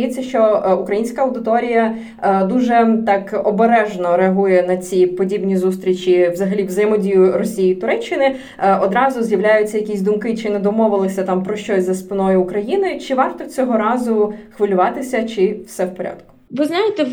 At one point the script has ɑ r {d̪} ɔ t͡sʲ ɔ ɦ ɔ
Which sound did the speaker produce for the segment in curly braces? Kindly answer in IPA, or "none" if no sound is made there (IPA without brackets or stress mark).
t̪